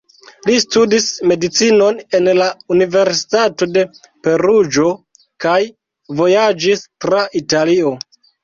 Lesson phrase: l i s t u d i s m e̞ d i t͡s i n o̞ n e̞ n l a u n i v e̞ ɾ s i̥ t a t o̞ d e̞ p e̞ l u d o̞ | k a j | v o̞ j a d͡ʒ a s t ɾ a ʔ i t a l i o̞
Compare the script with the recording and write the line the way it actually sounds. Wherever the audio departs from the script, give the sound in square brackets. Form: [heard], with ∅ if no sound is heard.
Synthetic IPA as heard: l i s t u d i s m e̞ d i t͡s i n o̞ n e̞ n l a u n i v e̞ ɾ s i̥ t a t o̞ d e̞ p e̞ [ɾ] u [d͡ʒ] o̞ | k a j | v o̞ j a d͡ʒ [i] s t ɾ a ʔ i t a l i o̞